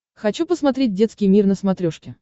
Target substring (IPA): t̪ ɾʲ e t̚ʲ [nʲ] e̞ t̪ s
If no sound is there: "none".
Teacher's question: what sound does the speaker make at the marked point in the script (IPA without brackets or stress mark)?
dʲ